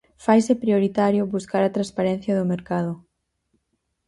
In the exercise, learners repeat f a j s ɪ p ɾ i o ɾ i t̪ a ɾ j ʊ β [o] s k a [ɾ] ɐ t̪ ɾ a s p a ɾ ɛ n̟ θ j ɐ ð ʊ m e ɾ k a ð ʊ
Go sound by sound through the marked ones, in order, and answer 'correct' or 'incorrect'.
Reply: incorrect: u, correct

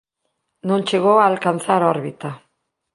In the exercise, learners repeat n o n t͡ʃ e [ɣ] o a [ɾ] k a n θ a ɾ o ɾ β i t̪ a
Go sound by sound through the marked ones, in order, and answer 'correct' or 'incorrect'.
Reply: correct, incorrect: l

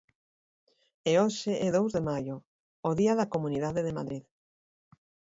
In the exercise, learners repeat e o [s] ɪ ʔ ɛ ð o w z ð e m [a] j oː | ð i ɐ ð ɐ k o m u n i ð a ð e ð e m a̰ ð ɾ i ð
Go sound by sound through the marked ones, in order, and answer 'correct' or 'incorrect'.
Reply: incorrect: ʃ, correct

